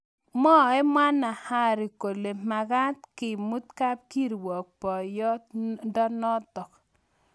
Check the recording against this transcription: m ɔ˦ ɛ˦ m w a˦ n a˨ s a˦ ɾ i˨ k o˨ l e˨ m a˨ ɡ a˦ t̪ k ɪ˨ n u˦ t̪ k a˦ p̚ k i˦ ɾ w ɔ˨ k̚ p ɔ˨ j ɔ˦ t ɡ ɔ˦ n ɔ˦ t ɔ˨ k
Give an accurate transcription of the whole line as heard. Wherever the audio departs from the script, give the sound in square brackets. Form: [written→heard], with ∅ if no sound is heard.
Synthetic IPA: m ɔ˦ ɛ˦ m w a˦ n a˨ [s→h] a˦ ɾ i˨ k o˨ l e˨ m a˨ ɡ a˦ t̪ k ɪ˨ [n→m] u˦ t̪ k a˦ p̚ k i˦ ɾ w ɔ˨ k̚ p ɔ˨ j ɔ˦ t [ɡ→d] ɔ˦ n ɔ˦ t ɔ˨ k